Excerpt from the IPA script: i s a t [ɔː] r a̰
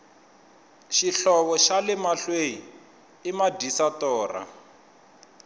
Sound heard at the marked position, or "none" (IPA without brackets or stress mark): ɔː